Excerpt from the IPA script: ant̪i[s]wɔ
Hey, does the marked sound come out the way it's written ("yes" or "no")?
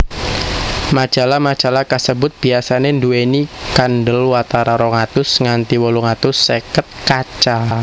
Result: no